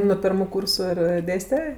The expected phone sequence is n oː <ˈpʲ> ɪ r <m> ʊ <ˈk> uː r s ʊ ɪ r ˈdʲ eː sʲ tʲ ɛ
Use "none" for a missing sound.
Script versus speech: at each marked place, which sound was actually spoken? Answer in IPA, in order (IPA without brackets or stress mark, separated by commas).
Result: pʲ, m, k